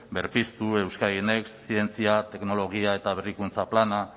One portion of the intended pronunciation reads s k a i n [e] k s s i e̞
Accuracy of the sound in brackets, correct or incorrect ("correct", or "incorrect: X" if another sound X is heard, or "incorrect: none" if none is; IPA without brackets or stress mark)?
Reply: correct